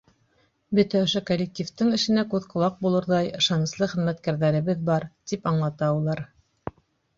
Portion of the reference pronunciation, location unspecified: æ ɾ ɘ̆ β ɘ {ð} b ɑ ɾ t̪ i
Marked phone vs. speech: correct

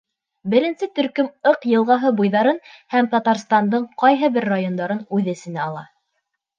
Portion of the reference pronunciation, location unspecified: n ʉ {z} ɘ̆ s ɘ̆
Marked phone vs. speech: incorrect: ð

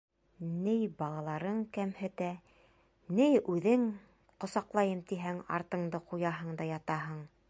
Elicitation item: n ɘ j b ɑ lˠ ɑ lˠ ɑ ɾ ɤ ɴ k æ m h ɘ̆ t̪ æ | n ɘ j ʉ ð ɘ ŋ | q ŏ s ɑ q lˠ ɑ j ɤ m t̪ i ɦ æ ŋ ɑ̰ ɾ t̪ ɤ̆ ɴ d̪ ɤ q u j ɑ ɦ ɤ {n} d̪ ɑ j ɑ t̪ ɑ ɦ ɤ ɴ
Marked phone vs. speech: incorrect: ɴ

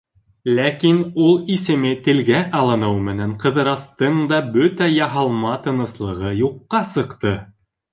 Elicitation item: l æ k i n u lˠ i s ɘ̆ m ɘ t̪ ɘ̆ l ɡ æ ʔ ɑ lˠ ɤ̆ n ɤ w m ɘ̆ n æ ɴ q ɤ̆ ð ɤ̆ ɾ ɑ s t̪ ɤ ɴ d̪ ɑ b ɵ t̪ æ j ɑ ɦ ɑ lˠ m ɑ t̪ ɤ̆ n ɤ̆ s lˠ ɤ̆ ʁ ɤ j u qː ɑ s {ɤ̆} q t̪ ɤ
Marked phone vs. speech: correct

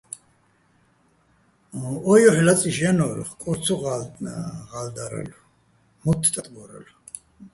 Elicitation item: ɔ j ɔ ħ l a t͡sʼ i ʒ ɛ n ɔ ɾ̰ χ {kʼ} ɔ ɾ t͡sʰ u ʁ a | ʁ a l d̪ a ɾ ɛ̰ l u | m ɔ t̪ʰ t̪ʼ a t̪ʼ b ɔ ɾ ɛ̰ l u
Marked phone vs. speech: correct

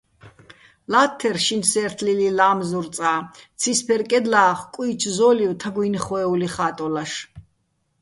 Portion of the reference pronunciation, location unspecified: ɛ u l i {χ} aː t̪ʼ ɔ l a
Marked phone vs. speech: correct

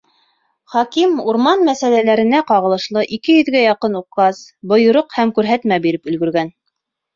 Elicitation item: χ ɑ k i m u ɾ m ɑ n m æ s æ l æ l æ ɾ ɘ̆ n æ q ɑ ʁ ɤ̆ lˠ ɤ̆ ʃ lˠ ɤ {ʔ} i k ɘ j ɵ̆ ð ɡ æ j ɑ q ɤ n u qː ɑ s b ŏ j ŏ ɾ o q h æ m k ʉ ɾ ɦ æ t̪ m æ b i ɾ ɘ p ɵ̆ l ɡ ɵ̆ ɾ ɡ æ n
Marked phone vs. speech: correct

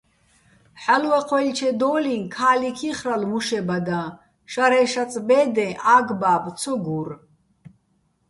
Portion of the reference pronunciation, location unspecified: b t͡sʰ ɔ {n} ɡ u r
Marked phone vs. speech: incorrect: none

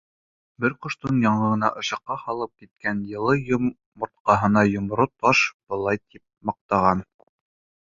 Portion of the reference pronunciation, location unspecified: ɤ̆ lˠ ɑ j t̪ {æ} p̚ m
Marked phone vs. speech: incorrect: i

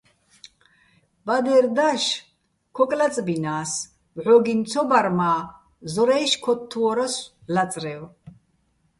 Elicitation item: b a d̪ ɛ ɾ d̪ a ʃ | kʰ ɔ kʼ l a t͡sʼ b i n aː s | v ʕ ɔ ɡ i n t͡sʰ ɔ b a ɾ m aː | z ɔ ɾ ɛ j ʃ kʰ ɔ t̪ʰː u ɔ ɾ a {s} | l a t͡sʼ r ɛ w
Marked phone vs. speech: correct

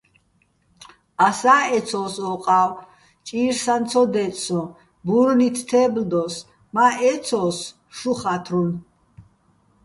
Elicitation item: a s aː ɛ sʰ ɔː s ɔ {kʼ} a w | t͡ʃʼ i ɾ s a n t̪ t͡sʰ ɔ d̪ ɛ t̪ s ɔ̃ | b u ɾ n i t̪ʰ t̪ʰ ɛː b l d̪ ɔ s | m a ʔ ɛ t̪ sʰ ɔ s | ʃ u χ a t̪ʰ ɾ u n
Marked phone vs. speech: incorrect: qʼ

